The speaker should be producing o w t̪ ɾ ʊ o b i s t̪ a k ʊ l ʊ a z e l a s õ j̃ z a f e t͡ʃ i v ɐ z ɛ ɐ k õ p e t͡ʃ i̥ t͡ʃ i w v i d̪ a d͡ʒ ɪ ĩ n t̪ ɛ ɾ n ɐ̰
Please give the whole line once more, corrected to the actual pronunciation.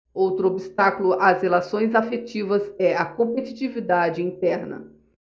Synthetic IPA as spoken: o w t̪ ɾ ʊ o b i s t̪ a k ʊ l ʊ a z e l a s õ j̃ z a f e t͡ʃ i v ɐ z ɛ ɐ k õ p e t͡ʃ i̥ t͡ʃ i v i d̪ a d͡ʒ ɪ ĩ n t̪ ɛ ɾ n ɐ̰